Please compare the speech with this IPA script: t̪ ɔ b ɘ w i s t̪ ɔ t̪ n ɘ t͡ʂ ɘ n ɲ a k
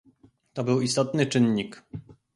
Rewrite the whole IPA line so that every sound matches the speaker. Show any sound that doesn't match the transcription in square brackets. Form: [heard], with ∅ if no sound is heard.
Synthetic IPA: t̪ ɔ b ɘ w i s t̪ ɔ t̪ n ɘ t͡ʂ ɘ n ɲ [i] k